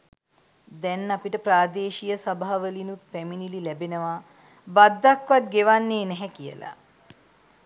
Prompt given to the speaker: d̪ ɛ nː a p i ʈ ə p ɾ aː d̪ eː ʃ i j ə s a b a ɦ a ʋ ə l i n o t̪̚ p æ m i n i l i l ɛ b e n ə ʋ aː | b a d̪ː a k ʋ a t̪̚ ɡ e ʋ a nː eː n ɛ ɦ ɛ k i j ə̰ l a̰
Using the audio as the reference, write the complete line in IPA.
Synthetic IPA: d̪ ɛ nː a p i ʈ ə p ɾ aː d̪ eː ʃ i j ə s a b a ɦ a ʋ ə l i n u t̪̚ p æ m i n i l i l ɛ b e n ə ʋ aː | b a d̪ː a k ʋ a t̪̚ ɡ e ʋ a nː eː n ɛ ɦ ɛ k i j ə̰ l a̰

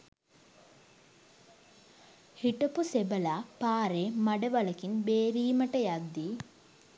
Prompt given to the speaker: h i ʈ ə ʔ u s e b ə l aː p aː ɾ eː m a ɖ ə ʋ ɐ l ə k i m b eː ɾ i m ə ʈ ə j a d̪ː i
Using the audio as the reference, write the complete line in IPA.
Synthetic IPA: h i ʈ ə p u s e b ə l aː p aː ɾ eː m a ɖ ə ʋ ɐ l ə k i n b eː ɾ iː m ə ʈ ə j a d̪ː i

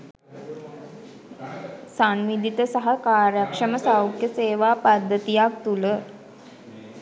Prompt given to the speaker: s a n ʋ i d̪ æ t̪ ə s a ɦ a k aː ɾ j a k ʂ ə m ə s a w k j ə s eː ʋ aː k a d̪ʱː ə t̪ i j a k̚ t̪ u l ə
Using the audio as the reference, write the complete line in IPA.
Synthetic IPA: s a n ʋ i d̪ i t̪ ə s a ɦ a k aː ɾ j a k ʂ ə m ə s a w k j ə s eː ʋ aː p a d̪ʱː ə t̪ i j a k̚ t̪ u l ə

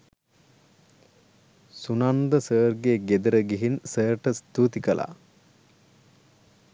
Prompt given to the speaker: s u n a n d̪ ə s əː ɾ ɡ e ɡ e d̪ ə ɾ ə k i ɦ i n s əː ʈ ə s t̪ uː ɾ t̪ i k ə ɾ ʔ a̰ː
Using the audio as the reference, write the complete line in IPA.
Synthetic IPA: s u n a n d̪ ə s əː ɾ ɡ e ɡ e d̪ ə ɾ ə ɡ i ɦ i n s əː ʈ ə s t̪ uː t̪ i k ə l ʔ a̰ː

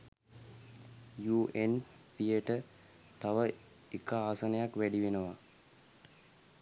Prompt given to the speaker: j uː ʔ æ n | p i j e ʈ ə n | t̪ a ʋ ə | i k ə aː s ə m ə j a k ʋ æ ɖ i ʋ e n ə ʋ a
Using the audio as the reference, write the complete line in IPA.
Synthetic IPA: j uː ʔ e n | p i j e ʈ ə | t̪ a ʋ ə | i k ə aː s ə n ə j a k ʋ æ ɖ i ʋ e n ə ʋ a

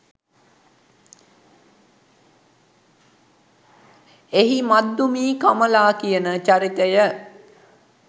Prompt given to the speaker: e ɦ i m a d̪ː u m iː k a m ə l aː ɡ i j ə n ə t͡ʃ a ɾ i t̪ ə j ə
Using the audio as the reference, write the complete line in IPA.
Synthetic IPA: e ɦ i m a d̪ː u m iː k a m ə l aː k i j ə n ə t͡ʃ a ɾ i t̪ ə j ə

